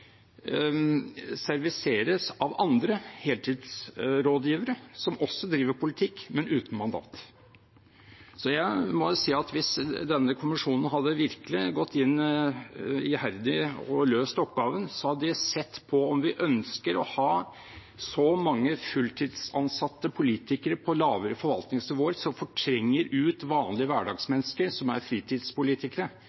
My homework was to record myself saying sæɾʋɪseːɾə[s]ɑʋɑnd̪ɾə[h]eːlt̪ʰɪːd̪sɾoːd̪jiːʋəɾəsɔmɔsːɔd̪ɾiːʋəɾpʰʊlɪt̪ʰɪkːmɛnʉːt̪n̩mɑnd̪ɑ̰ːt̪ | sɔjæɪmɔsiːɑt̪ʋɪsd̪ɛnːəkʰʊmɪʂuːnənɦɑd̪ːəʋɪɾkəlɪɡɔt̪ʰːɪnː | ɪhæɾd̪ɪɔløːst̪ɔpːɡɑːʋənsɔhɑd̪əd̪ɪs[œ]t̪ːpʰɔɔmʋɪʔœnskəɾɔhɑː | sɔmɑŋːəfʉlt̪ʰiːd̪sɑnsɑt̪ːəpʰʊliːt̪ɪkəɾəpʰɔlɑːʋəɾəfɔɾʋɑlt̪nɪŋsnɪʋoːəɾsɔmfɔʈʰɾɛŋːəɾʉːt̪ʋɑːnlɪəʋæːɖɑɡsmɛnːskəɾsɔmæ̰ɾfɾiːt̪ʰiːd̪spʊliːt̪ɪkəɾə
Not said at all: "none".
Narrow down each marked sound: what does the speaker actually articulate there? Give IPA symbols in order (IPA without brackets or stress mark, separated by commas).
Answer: s, h, ɛ